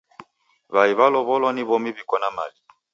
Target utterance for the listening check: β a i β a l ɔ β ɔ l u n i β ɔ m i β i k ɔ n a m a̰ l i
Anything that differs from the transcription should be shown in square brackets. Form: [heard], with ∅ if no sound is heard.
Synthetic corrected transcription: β a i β a l ɔ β ɔ l [ɔ] n i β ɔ m i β i k ɔ n a m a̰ l i